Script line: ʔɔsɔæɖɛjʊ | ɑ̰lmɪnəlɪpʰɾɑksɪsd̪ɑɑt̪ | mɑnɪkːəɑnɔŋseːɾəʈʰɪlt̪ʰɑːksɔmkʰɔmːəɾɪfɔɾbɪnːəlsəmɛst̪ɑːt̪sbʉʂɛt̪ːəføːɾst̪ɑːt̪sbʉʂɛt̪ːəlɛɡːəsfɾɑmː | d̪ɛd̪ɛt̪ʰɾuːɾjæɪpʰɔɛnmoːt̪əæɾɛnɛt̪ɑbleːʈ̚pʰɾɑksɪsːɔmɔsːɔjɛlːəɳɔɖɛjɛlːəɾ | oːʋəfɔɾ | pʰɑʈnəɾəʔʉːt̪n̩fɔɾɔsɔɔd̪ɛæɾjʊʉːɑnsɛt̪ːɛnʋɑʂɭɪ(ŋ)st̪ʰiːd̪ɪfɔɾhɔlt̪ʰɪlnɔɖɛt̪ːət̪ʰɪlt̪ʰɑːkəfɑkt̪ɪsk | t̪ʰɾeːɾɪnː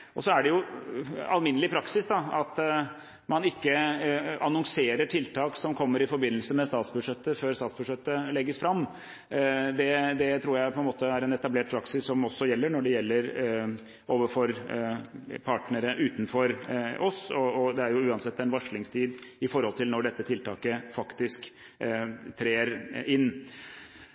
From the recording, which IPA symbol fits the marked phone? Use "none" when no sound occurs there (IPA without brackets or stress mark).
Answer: ŋ